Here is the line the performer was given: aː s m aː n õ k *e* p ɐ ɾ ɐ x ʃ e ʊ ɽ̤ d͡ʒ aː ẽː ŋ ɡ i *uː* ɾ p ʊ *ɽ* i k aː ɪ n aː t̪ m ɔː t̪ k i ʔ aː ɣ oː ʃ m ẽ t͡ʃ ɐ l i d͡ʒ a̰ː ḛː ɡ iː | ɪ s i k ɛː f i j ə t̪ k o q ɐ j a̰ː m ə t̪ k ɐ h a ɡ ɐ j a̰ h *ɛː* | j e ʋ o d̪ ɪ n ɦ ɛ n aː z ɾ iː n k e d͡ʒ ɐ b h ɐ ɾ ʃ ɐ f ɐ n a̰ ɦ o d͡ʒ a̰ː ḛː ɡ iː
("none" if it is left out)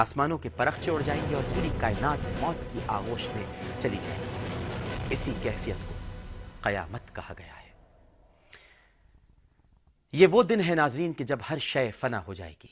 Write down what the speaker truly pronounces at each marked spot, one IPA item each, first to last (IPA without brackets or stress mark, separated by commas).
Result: e, ɔː, ɾ, ɛː